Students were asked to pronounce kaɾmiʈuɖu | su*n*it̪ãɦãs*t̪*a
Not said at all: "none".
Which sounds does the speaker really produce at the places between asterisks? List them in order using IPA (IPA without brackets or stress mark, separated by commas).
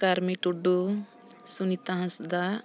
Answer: n, d̪